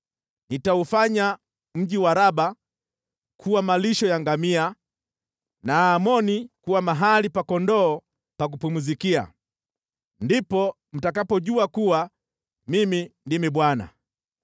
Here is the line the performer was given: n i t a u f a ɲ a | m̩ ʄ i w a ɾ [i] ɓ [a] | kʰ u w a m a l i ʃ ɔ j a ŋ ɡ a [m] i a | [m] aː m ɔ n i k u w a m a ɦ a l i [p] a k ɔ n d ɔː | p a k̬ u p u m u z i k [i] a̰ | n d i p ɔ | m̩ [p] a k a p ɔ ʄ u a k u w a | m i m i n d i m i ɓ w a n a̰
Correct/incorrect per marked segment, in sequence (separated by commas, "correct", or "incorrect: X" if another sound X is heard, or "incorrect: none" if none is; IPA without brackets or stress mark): incorrect: a, correct, correct, incorrect: n, correct, correct, incorrect: t